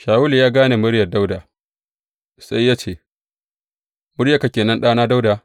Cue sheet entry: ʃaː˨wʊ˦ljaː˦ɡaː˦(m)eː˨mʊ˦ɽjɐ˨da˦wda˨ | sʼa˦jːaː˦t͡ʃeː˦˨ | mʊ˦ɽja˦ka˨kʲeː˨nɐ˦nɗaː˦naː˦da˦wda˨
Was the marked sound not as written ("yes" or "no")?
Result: yes